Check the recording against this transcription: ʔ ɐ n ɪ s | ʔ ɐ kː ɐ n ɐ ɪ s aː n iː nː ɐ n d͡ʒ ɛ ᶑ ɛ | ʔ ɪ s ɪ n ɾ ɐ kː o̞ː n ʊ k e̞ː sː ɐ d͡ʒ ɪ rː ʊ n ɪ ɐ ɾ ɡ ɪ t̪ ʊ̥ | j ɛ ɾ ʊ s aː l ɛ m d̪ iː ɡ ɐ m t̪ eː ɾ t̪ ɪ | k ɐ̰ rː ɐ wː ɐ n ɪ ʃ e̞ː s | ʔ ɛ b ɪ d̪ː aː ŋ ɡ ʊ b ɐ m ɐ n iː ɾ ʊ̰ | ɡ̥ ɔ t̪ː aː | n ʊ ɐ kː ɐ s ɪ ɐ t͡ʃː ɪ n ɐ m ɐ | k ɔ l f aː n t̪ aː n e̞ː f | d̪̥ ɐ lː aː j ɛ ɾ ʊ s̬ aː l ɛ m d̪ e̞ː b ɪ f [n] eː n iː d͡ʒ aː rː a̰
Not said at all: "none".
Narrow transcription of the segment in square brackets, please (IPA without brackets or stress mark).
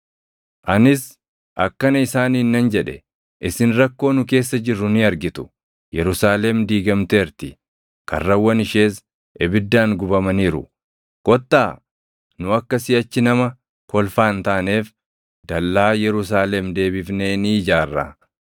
n